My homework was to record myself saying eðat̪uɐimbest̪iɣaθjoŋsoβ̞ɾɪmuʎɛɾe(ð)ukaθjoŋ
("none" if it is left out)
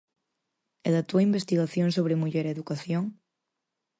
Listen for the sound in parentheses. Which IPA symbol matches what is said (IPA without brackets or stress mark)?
ð